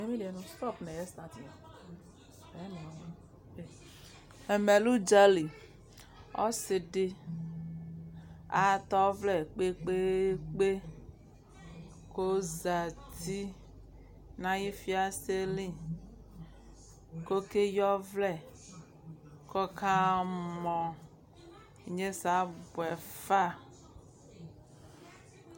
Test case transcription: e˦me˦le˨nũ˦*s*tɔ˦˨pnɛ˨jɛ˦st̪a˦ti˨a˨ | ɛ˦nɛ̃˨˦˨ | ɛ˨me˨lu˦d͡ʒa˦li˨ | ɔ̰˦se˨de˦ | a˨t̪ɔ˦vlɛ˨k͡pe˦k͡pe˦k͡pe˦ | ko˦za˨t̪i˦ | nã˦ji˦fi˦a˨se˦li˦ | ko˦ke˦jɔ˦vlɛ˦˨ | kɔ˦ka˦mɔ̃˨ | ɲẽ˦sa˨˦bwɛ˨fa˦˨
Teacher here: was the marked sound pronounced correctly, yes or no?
yes